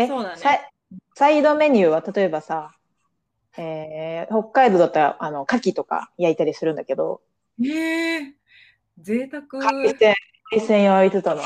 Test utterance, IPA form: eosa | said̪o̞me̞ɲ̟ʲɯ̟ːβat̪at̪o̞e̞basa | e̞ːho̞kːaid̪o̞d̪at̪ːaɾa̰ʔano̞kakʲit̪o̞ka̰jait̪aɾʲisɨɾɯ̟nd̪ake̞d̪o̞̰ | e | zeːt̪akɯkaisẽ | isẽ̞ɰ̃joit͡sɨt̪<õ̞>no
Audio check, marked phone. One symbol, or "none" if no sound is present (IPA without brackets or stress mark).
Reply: o̞